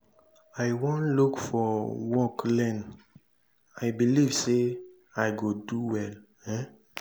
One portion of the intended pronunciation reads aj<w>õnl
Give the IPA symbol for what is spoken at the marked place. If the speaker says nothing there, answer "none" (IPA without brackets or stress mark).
w